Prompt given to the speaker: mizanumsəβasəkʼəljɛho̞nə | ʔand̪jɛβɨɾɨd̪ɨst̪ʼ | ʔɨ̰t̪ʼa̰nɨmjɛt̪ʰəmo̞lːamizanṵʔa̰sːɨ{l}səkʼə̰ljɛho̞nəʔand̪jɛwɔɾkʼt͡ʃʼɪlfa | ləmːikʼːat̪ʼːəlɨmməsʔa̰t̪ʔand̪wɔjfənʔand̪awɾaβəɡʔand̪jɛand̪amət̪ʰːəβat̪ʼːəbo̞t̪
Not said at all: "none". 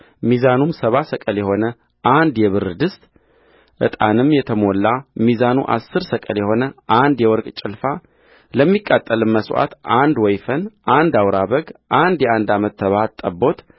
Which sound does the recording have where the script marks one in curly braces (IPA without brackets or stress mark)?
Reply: ɾ